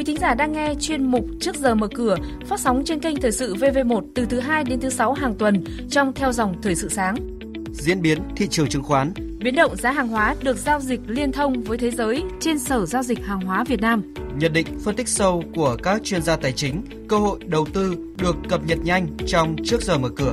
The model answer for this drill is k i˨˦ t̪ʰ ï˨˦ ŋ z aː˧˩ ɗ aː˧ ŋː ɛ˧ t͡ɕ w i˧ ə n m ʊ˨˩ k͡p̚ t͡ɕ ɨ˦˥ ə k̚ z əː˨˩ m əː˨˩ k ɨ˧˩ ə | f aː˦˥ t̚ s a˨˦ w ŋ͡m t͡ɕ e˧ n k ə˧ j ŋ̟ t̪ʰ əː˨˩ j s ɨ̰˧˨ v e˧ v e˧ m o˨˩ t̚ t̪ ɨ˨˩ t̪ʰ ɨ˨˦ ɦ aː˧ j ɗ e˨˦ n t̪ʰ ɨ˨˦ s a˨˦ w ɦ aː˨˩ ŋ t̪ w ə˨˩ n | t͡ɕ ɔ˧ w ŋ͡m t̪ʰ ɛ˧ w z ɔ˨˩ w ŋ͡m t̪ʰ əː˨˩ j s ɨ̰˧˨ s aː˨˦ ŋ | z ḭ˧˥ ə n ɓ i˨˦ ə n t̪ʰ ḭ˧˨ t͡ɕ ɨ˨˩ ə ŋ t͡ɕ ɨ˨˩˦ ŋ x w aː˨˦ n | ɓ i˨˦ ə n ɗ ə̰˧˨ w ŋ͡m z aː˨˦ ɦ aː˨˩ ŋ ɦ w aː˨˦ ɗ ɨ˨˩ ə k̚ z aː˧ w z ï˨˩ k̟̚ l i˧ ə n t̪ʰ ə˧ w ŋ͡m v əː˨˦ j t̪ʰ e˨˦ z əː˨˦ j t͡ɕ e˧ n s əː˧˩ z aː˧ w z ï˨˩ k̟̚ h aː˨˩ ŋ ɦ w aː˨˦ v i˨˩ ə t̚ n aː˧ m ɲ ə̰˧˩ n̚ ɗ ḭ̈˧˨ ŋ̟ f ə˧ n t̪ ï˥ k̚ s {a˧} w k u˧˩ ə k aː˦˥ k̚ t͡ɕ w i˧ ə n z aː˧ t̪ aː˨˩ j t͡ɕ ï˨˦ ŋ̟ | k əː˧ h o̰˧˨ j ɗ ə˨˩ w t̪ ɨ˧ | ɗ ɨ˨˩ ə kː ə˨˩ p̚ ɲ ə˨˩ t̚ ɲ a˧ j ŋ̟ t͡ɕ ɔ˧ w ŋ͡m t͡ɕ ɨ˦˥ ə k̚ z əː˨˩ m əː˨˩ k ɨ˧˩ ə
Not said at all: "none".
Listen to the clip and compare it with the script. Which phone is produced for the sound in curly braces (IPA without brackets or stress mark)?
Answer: ə˧